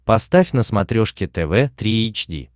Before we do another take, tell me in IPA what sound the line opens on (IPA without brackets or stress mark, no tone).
p